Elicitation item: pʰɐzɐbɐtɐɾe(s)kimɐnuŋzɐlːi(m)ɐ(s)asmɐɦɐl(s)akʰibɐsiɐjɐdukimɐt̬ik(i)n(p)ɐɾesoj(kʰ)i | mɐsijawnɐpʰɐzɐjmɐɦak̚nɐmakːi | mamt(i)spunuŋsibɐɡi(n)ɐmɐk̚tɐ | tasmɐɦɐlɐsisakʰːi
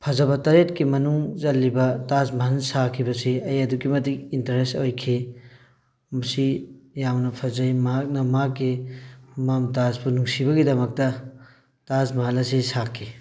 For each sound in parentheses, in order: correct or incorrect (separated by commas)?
incorrect, incorrect, incorrect, correct, correct, incorrect, correct, incorrect, incorrect